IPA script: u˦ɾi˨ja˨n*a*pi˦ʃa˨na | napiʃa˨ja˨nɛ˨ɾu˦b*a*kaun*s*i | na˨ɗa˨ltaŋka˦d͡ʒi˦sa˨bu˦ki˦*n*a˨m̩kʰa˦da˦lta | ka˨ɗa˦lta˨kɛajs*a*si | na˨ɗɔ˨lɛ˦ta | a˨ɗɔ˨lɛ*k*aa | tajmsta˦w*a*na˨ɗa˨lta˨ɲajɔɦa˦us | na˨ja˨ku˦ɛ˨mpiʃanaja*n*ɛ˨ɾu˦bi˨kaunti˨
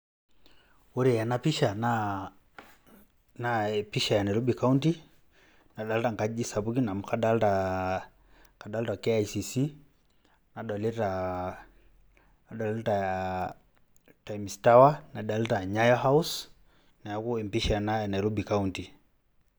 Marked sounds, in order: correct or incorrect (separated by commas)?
correct, incorrect, incorrect, correct, incorrect, incorrect, correct, correct